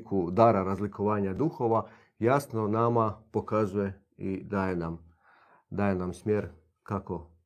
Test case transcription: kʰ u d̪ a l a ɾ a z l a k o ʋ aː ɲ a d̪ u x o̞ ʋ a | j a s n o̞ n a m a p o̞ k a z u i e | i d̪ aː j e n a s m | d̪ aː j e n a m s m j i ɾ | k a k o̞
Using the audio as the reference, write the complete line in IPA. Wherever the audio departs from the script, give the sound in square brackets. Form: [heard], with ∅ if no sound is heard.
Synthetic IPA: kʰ u d̪ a [ɾ] a ɾ a z l [i] k o ʋ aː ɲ a d̪ u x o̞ ʋ a | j a s n o̞ n a m a p o̞ k a z u [j] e | i d̪ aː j e n a [∅] m | d̪ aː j e n a m s m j [e] ɾ | k a k o̞